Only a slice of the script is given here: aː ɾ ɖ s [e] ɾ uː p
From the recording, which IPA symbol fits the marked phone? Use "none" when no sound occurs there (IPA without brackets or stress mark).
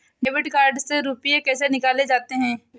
e